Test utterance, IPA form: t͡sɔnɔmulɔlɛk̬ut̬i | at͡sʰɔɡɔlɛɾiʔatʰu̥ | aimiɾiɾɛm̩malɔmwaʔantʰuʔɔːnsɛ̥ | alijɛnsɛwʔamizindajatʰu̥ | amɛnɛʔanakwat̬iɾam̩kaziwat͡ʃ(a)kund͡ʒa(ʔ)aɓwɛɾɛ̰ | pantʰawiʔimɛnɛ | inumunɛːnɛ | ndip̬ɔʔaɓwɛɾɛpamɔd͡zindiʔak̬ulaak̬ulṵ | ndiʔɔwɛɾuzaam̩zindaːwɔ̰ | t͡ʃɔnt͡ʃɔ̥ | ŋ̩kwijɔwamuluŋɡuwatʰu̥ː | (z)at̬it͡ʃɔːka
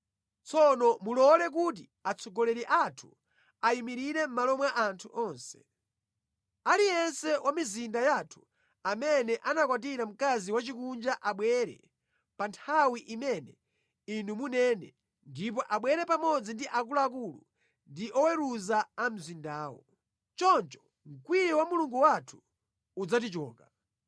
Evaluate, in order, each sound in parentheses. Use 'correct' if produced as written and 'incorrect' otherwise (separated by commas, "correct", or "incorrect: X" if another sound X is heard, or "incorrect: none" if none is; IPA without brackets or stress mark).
incorrect: i, correct, incorrect: d͡z